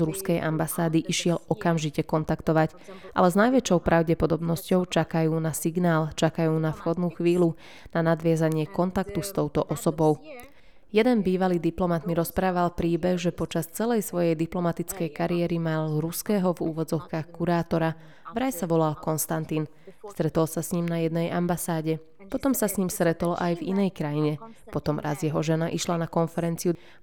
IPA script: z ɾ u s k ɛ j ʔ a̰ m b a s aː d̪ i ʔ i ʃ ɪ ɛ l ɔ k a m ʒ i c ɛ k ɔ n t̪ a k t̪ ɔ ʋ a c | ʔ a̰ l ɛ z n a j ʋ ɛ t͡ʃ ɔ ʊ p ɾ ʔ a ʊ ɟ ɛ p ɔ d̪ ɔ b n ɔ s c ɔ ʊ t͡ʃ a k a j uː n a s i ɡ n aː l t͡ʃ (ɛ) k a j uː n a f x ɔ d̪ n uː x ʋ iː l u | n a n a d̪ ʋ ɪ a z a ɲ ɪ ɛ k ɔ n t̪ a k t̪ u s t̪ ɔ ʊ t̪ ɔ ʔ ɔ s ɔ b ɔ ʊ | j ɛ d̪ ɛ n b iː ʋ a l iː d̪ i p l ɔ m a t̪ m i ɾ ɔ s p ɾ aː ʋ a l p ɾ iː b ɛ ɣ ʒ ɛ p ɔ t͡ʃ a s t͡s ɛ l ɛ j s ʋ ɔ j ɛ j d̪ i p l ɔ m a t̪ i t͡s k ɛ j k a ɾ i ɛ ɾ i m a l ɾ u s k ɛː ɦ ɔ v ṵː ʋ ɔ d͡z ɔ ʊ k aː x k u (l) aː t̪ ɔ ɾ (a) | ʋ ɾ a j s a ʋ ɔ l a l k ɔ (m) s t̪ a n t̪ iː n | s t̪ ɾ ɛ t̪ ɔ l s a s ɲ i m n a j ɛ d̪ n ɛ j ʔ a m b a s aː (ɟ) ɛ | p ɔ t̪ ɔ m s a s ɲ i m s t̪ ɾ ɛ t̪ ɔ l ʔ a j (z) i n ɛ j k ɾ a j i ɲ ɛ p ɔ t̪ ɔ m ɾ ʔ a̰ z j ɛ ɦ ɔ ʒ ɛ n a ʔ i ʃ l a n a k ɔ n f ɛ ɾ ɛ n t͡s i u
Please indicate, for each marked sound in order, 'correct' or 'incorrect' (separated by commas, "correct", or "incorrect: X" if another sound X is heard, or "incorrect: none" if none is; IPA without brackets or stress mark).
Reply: incorrect: a, incorrect: ɾ, correct, incorrect: n, correct, incorrect: v